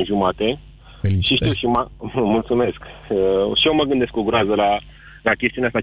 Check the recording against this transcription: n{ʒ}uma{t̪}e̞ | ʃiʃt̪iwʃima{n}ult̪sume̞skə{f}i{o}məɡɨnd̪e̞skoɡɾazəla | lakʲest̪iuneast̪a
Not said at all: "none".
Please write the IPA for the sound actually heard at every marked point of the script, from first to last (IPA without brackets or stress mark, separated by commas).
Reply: ʒ, t̪, m, ʃ, o